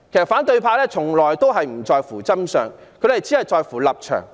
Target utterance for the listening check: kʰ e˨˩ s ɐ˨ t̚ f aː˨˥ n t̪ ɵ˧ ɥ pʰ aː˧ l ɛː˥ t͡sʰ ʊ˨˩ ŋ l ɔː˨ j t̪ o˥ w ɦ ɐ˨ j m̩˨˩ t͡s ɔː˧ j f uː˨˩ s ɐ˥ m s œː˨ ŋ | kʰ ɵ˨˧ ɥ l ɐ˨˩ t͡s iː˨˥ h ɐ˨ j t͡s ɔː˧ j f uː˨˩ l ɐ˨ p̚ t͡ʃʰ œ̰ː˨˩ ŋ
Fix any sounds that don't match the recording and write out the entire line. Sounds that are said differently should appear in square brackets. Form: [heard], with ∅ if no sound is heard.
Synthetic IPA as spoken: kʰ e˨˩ s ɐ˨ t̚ f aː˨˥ n t̪ ɵ˧ ɥ pʰ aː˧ l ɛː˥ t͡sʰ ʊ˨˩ ŋ l ɔː˨ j t̪ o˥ w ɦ ɐ˨ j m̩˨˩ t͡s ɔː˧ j f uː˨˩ [t͡s] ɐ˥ m s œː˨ ŋ | kʰ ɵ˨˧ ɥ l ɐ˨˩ t͡s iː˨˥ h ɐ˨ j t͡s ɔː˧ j f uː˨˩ l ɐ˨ p̚ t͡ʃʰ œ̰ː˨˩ ŋ